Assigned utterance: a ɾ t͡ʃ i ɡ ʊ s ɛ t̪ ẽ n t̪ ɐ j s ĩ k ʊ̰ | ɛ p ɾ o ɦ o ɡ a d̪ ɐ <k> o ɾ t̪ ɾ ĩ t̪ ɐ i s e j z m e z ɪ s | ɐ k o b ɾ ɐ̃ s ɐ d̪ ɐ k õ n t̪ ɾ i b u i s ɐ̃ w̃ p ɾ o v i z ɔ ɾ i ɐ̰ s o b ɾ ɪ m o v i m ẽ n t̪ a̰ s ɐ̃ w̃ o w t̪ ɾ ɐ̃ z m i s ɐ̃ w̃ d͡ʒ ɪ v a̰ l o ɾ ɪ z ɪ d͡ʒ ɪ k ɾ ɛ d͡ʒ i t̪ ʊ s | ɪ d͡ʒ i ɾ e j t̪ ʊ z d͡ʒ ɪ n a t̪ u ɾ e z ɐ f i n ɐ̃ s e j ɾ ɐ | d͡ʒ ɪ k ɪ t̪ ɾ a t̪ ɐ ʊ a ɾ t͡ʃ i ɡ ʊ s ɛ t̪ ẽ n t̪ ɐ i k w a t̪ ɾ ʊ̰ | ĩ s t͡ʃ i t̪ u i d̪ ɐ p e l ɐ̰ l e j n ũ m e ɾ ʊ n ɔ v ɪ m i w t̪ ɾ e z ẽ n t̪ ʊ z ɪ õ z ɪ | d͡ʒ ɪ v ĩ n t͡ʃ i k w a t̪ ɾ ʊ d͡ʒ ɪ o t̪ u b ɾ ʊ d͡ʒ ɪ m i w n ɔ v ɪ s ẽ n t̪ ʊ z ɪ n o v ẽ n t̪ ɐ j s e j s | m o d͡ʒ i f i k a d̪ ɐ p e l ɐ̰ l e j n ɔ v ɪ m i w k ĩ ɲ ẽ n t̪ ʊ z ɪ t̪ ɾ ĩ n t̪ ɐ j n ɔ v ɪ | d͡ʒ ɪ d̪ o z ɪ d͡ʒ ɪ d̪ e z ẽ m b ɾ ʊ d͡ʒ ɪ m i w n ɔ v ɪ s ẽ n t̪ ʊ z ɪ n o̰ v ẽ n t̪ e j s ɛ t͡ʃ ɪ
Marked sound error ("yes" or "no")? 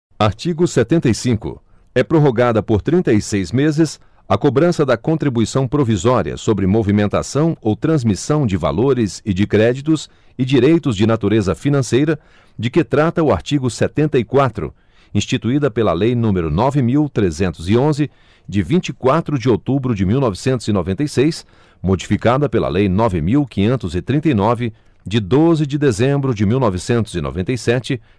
yes